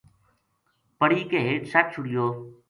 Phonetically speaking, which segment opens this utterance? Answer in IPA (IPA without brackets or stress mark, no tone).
p